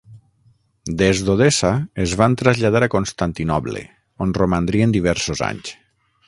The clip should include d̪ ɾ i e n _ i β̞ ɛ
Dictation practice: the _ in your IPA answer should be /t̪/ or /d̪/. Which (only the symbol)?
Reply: d̪